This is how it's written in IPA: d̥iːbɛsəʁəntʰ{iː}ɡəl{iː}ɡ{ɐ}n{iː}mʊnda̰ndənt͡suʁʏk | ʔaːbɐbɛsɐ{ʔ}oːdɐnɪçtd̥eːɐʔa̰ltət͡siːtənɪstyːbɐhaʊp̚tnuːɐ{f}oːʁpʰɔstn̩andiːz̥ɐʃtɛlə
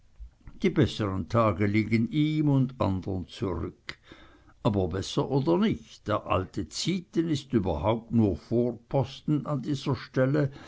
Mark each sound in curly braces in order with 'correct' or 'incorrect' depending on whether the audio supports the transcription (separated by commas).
incorrect, correct, incorrect, correct, correct, correct